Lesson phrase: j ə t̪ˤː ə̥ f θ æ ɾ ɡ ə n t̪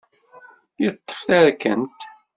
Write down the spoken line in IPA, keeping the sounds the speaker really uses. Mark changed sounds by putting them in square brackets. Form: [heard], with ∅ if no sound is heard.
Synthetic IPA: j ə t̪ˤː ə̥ f θ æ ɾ [k] ə n t̪